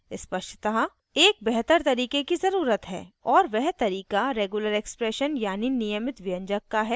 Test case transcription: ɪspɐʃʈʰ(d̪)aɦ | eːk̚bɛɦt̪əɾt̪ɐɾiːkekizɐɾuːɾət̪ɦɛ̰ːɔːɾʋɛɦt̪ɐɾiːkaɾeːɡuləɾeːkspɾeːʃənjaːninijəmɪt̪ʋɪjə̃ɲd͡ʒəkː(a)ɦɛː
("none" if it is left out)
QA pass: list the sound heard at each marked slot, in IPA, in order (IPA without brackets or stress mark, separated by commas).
t̪, a